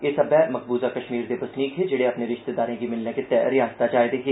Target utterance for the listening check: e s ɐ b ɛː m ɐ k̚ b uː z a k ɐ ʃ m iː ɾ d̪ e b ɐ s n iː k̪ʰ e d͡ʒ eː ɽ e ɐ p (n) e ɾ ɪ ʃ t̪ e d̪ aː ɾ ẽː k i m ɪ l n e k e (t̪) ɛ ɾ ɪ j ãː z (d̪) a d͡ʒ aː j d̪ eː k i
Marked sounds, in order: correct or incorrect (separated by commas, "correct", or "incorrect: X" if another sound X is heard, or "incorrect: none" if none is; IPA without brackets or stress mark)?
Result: correct, correct, incorrect: t̪